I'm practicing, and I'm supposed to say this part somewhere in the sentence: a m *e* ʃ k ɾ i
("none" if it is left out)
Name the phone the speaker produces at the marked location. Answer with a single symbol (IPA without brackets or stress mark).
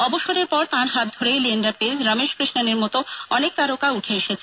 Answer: e